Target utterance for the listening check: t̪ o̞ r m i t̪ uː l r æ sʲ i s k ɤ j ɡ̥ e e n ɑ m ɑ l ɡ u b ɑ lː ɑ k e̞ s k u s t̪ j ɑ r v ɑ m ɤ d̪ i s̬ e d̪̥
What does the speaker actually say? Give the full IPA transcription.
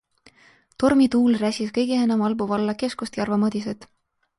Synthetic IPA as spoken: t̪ o̞ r m i t̪ uː l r æ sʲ i s k ɤ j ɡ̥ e e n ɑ m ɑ l b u v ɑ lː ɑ k e̞ s k u s t̪ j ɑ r v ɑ m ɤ d̪ i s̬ e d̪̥